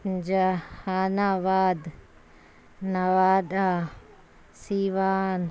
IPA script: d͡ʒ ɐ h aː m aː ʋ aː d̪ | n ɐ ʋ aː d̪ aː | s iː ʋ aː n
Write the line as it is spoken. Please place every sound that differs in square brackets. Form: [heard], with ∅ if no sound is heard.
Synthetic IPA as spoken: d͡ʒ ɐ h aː [n] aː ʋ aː d̪ | n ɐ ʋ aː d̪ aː | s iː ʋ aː n